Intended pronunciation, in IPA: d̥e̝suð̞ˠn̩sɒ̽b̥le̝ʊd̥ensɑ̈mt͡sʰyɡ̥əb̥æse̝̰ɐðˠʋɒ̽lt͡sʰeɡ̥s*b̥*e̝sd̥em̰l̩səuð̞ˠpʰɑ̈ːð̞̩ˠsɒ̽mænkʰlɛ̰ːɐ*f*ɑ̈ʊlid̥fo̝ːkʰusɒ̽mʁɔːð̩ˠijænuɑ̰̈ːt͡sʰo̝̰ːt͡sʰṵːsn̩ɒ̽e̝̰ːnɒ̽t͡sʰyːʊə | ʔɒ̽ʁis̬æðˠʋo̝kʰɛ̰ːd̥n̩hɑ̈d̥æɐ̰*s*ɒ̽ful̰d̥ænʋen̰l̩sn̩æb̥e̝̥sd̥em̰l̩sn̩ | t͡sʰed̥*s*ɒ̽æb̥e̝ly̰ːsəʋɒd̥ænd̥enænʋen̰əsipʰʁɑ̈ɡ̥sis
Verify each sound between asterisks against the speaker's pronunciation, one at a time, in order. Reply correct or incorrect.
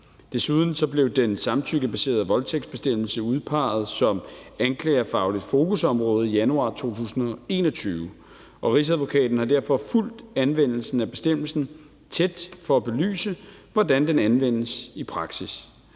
correct, correct, incorrect: f, incorrect: f

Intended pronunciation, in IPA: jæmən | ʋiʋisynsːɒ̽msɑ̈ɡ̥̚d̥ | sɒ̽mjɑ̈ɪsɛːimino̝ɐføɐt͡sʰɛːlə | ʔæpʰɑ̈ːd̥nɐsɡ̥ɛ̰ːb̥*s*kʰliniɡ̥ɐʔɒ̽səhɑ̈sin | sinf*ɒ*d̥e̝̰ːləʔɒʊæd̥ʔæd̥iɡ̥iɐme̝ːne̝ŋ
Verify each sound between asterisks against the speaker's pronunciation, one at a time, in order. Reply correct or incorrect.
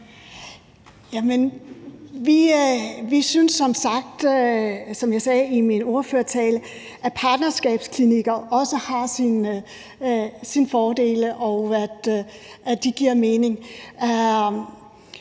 correct, incorrect: ɒː

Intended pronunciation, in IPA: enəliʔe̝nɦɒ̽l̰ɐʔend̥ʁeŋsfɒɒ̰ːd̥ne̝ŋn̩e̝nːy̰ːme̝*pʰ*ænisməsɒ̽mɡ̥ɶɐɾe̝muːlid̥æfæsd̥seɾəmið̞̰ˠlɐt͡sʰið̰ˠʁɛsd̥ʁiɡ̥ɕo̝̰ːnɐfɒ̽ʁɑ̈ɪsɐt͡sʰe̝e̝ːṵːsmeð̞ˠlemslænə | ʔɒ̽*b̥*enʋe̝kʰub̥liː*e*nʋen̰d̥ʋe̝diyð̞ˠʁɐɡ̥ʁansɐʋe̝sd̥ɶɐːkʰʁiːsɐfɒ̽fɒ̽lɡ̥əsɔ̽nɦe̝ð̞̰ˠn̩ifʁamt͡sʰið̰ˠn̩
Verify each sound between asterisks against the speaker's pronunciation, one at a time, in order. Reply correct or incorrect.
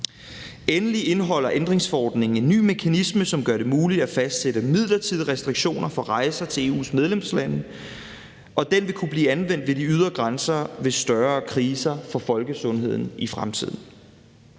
incorrect: kʰ, incorrect: d̥, incorrect: æ

